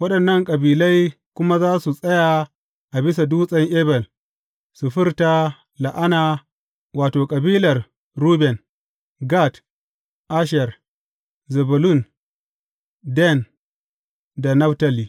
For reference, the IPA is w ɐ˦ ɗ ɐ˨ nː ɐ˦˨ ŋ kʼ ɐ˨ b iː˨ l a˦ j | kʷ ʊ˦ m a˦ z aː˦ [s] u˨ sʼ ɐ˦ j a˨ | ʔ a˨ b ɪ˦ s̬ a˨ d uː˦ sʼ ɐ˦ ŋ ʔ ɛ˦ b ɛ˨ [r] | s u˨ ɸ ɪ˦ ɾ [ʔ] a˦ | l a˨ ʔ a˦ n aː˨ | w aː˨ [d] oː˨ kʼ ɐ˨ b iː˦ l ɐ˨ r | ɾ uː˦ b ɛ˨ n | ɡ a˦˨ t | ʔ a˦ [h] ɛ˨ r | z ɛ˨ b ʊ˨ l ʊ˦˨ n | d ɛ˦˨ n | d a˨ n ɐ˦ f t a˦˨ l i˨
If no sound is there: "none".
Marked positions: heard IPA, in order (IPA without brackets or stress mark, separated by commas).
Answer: s, l, t, t, ʃ